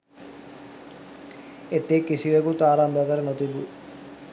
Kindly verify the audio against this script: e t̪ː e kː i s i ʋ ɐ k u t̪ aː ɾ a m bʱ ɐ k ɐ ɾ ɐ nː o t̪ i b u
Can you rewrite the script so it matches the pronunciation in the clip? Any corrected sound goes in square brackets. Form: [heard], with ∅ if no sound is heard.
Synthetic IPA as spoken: e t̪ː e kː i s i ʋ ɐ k u t̪ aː ɾ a m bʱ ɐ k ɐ ɾ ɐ [n] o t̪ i b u